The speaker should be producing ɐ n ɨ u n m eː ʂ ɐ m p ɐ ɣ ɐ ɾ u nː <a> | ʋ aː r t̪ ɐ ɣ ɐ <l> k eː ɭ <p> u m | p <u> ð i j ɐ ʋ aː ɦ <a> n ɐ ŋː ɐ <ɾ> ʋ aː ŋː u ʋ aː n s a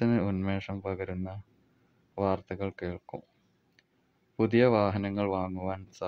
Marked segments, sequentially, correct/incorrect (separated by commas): incorrect, incorrect, incorrect, correct, incorrect, incorrect